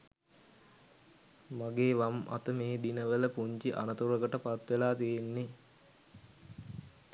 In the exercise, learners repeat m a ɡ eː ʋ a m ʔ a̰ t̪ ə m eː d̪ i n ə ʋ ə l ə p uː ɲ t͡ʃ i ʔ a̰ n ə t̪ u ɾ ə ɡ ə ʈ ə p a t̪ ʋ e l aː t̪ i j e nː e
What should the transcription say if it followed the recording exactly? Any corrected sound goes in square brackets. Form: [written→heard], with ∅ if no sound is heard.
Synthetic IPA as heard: m a ɡ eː ʋ a m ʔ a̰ t̪ ə m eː d̪ i n ə ʋ ə l ə p [uː→u] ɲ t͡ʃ i ʔ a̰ n ə t̪ u ɾ ə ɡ ə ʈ ə p a t̪ ʋ e l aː t̪ i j e nː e